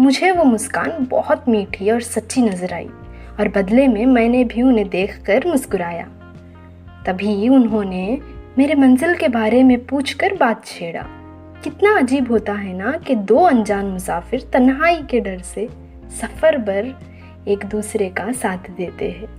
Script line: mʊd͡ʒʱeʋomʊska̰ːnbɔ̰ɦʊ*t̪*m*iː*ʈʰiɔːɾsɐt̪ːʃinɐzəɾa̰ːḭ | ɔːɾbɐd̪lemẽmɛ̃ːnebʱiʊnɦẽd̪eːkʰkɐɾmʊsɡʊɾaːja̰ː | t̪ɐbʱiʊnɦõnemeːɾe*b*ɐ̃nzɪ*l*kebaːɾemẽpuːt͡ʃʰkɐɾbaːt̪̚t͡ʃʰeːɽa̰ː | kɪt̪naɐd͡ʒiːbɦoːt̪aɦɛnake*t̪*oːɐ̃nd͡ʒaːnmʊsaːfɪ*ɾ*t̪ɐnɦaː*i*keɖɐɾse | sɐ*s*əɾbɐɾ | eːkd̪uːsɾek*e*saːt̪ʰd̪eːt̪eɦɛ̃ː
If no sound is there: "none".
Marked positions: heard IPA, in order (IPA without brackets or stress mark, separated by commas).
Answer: t̪, iː, m, l, d̪, ɾ, i, f, a